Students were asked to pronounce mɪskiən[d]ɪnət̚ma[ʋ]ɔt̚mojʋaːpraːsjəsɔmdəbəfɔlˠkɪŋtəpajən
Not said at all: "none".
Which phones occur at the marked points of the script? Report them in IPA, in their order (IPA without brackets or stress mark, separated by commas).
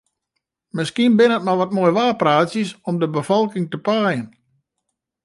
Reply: b, ʋ